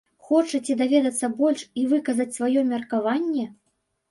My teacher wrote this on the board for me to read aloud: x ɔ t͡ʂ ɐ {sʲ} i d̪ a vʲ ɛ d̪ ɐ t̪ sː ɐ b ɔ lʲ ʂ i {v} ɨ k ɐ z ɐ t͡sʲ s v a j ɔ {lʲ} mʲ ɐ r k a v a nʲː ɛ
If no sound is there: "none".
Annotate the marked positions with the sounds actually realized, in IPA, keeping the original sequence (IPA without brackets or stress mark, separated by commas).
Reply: t͡sʲ, v, none